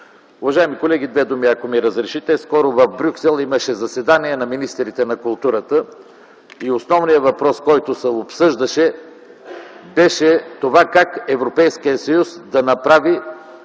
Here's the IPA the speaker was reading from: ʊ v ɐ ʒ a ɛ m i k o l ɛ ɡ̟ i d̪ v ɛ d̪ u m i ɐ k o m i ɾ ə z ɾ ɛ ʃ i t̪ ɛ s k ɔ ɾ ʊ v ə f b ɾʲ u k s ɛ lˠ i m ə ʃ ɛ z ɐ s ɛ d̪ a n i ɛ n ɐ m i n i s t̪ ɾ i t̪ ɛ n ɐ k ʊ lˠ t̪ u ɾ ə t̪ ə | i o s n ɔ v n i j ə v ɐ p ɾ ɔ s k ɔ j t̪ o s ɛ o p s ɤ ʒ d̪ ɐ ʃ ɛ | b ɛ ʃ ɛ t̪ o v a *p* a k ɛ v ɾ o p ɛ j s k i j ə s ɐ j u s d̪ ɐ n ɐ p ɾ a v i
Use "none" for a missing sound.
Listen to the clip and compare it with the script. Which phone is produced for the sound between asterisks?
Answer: k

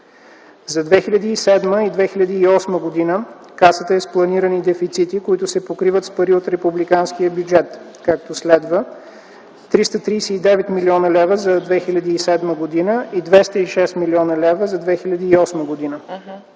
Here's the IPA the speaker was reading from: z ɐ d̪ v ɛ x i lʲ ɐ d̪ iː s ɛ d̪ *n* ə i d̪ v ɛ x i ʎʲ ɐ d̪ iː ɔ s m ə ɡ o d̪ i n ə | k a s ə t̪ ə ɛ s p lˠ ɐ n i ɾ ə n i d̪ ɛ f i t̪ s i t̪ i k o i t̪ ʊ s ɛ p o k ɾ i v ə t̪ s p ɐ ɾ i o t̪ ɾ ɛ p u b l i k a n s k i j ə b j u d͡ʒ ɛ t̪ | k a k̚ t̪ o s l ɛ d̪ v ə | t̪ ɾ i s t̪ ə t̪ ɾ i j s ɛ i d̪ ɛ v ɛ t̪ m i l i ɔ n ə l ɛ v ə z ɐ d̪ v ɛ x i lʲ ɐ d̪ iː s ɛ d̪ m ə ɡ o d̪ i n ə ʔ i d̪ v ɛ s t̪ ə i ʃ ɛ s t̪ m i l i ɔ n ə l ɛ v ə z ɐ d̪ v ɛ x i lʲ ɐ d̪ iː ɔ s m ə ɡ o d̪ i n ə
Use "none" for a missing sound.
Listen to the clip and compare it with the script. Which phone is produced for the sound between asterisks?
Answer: m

